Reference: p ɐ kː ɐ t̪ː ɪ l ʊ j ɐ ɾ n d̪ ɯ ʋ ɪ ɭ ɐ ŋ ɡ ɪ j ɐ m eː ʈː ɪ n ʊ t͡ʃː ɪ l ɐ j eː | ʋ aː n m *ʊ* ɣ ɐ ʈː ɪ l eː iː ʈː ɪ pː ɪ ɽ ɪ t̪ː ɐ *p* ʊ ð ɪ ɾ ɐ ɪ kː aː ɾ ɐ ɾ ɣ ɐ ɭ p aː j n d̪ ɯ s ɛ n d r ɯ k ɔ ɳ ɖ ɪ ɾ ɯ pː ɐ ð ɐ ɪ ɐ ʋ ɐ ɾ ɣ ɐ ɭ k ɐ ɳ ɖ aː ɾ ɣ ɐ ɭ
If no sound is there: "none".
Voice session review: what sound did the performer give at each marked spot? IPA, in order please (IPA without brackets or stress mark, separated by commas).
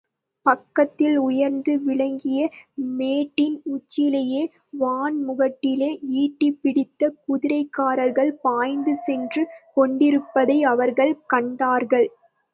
ʊ, k